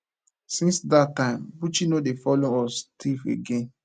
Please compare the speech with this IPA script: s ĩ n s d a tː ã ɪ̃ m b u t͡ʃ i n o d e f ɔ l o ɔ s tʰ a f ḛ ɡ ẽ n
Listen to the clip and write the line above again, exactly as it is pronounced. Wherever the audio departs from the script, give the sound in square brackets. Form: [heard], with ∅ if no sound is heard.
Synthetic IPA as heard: s ĩ n s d a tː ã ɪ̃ m b u t͡ʃ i n o d e f ɔ l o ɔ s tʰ [i] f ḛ ɡ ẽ n